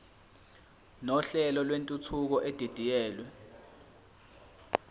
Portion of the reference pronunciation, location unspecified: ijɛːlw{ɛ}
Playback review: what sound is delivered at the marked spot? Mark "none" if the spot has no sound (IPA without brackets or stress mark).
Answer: ɛ